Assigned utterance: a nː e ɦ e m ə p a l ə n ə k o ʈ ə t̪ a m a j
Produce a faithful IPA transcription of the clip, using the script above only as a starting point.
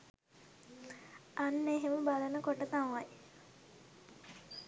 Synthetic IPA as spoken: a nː e ɦ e m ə b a l ə n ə k o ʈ ə t̪ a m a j